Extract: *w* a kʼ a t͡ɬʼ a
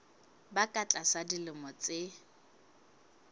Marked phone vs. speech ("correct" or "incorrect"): incorrect